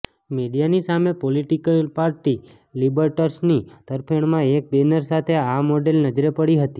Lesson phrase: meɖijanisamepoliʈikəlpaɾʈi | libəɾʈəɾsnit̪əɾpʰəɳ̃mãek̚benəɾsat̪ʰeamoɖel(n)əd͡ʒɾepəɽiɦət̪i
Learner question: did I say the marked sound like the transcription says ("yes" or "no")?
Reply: yes